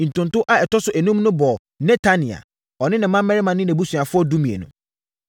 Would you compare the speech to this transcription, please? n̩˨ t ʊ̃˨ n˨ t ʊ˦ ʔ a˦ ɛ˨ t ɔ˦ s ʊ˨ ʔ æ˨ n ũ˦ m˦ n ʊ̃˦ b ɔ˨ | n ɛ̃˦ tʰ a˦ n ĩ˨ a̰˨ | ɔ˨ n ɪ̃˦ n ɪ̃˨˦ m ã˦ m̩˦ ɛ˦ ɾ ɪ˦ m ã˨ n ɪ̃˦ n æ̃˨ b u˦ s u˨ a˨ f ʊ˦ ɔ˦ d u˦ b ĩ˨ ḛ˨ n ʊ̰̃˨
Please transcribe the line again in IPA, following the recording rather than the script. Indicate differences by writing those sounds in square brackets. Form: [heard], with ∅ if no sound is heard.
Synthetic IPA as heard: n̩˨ t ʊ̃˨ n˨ t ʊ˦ ʔ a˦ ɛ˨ t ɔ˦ s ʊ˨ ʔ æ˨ n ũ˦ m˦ n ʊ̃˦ b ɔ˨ | n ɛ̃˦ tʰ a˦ n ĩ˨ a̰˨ | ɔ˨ n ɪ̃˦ n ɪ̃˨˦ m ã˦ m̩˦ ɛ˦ ɾ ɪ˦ m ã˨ n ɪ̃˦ n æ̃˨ b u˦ s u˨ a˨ f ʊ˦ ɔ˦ d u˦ [m] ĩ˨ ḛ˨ n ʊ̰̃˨